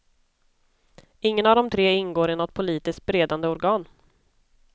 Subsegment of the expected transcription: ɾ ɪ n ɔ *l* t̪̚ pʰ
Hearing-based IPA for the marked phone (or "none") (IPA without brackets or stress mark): none